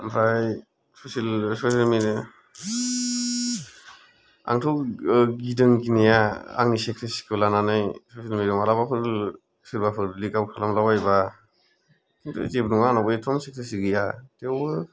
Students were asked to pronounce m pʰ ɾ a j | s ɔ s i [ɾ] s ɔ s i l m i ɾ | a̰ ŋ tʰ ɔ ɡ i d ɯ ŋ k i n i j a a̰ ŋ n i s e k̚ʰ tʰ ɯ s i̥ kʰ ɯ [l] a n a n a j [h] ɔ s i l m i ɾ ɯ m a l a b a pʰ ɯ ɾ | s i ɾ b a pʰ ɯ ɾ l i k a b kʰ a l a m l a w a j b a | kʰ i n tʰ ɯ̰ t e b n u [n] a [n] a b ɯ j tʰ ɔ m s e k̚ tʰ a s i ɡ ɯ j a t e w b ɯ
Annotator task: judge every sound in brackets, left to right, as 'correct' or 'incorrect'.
incorrect, correct, incorrect, incorrect, correct

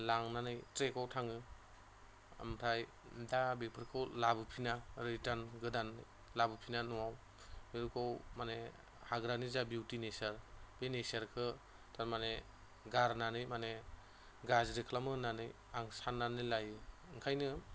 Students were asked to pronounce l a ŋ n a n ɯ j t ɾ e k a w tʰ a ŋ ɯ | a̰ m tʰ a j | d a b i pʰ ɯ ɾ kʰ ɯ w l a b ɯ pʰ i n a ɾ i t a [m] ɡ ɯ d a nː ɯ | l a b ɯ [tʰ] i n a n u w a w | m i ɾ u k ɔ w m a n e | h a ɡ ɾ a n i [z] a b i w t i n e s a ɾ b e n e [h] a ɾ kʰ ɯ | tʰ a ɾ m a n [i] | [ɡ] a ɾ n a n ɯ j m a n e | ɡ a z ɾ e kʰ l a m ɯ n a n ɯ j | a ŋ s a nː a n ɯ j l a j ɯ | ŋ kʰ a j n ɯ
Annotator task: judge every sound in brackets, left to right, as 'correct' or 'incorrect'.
incorrect, incorrect, correct, incorrect, incorrect, correct

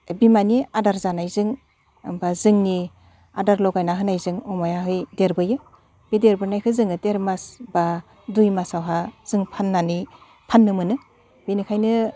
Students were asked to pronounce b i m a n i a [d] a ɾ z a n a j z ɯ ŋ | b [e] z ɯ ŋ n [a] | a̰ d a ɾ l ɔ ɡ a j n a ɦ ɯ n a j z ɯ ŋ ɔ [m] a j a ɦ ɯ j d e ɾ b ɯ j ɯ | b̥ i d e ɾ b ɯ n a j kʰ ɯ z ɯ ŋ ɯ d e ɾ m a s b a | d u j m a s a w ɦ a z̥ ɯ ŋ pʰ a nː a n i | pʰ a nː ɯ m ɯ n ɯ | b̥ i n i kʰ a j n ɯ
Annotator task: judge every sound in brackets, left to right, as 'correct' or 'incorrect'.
correct, incorrect, incorrect, correct

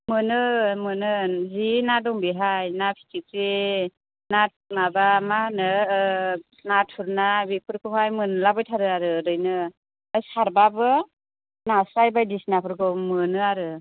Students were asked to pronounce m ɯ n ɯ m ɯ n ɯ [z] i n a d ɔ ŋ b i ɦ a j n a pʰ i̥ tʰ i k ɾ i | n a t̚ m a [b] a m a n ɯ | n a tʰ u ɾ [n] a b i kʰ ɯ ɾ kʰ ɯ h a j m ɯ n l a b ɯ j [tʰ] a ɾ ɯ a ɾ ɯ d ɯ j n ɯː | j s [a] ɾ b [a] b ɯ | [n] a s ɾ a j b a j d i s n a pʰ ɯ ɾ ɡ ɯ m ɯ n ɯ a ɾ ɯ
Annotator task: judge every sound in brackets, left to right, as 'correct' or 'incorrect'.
correct, correct, correct, correct, correct, correct, correct

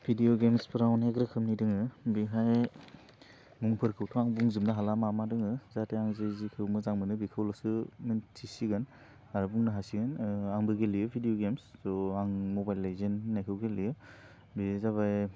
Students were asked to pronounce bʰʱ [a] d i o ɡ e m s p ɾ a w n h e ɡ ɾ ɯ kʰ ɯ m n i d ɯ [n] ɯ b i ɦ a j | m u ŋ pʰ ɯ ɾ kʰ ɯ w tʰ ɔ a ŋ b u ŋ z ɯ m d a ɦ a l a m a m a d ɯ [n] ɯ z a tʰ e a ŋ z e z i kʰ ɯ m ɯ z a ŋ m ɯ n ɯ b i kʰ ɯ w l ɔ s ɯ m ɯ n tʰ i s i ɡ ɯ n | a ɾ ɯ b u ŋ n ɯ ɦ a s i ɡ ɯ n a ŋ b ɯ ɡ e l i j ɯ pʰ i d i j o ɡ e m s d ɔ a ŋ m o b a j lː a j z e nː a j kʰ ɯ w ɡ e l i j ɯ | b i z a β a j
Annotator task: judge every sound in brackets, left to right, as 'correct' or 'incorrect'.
incorrect, incorrect, incorrect

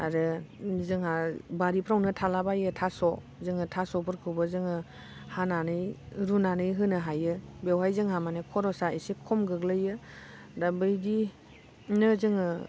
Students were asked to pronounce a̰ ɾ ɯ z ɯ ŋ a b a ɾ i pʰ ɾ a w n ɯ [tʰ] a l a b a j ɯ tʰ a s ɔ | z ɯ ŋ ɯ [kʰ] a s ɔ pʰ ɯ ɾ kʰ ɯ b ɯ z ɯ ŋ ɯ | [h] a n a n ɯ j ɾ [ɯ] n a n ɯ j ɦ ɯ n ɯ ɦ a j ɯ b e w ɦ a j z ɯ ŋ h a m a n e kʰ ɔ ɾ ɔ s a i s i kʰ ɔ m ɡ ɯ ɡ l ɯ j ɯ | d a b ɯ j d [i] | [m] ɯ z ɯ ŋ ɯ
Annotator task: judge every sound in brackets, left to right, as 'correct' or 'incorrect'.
correct, incorrect, correct, incorrect, correct, incorrect

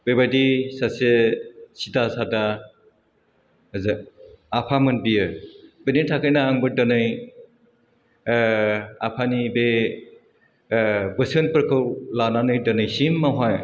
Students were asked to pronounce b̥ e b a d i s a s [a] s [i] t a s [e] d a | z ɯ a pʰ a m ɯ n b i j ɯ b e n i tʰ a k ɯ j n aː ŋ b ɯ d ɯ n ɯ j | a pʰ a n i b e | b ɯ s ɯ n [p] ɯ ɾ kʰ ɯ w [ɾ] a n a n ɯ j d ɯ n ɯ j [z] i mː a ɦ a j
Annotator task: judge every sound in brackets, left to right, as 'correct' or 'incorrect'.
incorrect, correct, incorrect, correct, incorrect, incorrect

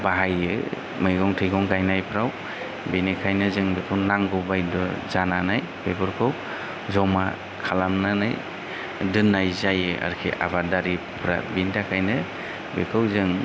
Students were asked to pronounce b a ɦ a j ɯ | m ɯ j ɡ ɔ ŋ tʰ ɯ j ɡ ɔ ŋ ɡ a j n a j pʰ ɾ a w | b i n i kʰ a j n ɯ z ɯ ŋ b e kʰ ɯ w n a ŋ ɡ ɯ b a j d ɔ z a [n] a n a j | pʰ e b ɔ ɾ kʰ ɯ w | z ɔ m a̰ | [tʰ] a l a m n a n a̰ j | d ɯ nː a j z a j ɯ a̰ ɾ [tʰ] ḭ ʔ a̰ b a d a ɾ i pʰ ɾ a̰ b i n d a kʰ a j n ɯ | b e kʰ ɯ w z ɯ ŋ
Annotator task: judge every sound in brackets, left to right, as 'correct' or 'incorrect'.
correct, incorrect, incorrect

